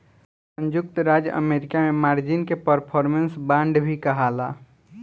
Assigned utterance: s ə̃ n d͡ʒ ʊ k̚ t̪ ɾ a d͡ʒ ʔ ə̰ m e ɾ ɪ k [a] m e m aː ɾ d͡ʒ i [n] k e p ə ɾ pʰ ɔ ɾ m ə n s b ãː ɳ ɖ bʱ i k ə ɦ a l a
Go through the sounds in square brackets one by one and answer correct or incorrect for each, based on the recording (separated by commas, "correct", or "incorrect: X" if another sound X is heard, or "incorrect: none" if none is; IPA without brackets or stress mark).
correct, correct